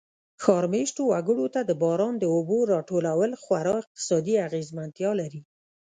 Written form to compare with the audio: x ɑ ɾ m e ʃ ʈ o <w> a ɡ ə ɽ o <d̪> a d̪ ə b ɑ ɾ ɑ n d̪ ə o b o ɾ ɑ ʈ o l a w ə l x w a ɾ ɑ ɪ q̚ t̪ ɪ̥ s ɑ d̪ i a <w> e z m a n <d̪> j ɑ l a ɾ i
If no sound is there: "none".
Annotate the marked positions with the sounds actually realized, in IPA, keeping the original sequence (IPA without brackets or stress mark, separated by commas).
w, t̪, ɣ, t̪